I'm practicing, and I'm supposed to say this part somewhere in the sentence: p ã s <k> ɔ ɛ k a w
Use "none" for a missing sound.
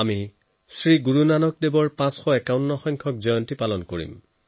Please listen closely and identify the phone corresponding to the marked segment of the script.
x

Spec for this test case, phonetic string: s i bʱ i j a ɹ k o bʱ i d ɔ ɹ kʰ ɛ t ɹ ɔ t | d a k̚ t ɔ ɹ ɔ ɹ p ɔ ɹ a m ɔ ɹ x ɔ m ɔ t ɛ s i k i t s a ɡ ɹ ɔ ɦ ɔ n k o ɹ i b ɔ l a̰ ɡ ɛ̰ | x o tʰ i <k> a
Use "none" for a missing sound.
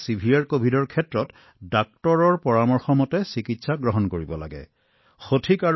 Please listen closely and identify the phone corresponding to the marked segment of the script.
k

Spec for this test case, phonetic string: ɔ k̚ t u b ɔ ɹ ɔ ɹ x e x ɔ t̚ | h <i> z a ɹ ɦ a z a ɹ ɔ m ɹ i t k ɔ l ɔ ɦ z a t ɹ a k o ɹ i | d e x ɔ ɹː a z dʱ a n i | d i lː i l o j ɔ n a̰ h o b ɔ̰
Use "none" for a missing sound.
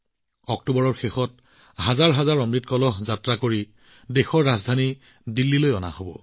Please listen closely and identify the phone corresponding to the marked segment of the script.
a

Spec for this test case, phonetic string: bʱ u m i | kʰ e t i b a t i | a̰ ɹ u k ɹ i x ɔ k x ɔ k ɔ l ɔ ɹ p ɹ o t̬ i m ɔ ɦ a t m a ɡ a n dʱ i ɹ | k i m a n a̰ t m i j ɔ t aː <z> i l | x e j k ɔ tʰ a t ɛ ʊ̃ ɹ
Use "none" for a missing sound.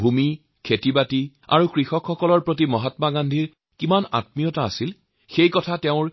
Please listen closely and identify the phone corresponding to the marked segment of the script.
s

